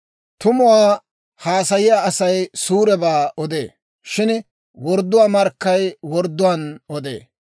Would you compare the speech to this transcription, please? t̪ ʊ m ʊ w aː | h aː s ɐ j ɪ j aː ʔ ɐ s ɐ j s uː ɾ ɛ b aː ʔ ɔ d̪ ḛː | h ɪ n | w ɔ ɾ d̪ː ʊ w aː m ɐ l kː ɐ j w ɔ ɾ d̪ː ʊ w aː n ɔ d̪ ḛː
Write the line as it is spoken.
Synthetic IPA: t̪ ʊ m ʊ w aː | h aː s ɐ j ɪ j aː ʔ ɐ s ɐ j s uː ɾ ɛ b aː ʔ ɔ d̪ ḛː | ʃ ɪ n | w ɔ ɾ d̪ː ʊ w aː m ɐ ɾ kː ɐ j w ɔ ɾ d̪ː ʊ w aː n ɔ d̪ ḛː